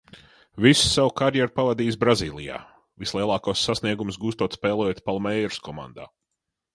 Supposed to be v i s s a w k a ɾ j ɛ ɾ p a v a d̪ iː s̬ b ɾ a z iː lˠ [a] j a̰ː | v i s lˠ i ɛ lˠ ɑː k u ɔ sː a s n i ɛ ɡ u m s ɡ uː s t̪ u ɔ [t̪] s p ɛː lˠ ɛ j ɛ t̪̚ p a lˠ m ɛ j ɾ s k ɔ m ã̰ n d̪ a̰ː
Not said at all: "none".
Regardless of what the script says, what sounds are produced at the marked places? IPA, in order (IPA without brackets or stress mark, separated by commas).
i, t̪